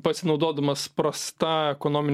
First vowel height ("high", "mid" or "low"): low